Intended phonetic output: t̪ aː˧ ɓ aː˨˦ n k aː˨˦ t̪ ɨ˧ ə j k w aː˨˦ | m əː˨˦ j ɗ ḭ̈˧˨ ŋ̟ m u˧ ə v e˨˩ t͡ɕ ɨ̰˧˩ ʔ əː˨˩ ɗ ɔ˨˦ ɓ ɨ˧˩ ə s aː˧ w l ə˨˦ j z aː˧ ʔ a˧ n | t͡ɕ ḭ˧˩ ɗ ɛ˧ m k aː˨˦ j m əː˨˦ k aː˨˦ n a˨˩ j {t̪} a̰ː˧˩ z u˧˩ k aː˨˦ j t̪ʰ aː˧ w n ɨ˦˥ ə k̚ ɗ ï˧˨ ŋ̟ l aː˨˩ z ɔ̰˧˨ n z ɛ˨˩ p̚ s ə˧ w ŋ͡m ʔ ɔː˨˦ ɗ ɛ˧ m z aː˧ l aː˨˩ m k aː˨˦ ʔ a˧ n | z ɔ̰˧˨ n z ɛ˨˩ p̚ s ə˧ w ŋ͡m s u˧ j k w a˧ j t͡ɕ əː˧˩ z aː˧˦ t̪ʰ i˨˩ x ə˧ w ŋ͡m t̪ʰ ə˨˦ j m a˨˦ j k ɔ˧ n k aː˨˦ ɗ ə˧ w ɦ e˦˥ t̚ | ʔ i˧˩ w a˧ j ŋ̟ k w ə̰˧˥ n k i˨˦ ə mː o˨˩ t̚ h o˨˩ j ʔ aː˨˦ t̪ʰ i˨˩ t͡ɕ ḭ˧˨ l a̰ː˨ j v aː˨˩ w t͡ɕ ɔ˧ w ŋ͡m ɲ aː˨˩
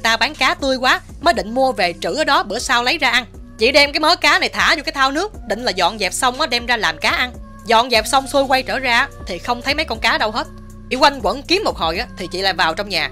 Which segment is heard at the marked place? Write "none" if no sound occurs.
t̪ʰ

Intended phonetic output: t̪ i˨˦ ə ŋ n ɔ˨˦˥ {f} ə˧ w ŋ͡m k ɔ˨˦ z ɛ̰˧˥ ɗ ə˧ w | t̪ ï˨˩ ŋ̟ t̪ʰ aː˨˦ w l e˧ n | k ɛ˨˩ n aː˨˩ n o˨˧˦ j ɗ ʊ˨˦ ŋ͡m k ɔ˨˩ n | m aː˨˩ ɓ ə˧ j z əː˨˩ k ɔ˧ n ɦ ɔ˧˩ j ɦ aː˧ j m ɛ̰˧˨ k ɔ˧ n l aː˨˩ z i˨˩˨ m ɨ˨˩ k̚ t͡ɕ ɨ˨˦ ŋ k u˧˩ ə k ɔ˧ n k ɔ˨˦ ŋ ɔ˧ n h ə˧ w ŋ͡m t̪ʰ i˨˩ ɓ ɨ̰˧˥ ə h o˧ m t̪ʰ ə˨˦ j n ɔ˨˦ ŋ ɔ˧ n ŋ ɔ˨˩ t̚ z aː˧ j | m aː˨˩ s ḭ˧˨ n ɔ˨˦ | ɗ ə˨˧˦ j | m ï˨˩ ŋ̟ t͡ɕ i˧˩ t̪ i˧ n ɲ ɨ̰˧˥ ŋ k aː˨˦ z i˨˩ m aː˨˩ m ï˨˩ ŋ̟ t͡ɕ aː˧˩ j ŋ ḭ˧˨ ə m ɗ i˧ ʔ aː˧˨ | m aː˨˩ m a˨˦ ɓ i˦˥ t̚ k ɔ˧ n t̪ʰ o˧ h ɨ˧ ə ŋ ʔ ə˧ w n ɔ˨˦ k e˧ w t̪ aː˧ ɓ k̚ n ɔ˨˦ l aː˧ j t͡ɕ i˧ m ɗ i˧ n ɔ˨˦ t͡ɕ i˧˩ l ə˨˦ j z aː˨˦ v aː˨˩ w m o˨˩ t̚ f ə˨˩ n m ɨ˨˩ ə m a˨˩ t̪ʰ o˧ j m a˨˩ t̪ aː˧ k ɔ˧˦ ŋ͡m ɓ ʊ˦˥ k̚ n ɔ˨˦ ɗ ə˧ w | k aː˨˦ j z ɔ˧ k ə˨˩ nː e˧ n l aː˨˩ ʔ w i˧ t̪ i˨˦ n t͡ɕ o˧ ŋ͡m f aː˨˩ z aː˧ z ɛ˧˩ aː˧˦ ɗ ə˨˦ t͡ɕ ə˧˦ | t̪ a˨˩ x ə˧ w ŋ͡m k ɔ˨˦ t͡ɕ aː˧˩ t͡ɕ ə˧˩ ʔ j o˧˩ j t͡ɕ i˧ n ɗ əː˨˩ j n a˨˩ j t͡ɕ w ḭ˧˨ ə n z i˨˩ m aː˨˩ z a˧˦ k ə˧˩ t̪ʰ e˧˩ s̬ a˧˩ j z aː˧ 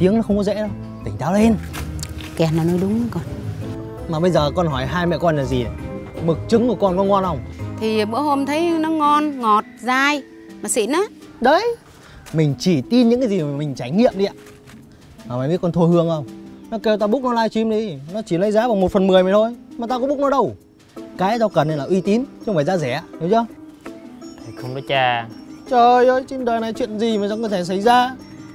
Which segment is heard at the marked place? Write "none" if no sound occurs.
x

